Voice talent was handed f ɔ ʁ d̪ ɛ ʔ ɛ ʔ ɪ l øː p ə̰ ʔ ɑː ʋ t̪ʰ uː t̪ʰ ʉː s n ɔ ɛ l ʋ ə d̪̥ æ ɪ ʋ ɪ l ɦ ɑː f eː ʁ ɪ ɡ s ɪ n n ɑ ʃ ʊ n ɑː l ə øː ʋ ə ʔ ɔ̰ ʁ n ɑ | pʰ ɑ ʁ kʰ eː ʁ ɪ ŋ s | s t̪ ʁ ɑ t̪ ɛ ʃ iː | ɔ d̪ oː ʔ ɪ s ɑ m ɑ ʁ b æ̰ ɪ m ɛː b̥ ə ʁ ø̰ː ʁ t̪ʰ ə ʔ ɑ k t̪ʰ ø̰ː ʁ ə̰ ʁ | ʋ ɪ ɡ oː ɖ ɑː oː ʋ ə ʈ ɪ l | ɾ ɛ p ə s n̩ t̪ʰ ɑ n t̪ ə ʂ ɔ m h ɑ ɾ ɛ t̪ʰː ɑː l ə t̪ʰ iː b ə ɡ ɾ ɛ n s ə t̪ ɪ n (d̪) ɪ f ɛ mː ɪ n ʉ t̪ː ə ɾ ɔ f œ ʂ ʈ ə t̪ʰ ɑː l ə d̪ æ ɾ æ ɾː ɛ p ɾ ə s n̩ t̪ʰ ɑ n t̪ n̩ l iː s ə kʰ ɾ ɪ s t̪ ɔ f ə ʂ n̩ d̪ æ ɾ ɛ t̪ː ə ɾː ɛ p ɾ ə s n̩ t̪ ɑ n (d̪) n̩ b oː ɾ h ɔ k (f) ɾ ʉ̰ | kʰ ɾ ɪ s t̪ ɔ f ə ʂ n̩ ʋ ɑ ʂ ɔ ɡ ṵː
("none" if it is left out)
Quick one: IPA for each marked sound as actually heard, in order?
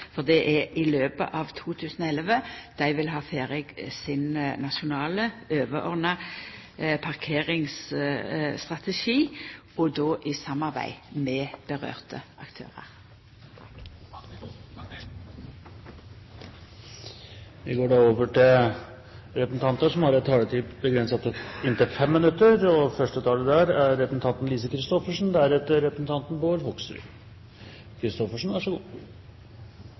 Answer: t̪, t̪, s

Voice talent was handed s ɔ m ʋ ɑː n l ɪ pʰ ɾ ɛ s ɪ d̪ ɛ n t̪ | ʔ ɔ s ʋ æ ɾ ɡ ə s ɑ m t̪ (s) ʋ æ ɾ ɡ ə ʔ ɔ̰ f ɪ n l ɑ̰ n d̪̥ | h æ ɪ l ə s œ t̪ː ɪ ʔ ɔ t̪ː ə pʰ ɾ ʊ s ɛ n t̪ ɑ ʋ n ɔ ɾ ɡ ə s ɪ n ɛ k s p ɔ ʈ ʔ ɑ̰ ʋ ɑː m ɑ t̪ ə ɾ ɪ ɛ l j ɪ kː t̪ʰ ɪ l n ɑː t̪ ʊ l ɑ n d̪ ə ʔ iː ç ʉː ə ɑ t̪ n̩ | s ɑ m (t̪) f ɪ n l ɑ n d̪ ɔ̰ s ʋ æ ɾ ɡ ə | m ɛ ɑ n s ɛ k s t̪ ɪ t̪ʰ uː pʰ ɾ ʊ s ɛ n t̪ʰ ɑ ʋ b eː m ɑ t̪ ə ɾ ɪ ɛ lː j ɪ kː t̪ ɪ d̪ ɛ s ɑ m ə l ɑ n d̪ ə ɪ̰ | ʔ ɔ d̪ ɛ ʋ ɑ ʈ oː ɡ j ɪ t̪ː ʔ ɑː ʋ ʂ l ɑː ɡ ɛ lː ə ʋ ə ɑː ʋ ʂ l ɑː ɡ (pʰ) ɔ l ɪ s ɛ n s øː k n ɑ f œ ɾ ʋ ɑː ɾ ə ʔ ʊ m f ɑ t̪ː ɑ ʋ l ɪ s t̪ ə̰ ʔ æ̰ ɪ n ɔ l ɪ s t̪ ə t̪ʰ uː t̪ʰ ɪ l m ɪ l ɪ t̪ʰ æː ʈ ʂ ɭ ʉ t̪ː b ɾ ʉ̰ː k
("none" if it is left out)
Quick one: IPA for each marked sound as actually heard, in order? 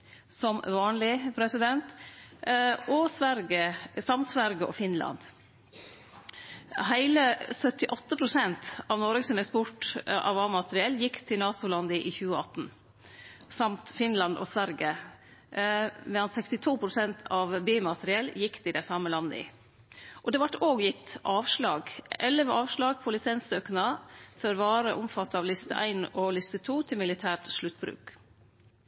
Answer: s, t̪, pʰ

